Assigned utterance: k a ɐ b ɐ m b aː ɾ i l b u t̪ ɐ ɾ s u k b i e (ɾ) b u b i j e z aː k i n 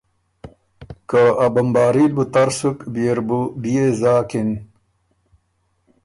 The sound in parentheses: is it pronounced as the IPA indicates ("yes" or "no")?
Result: yes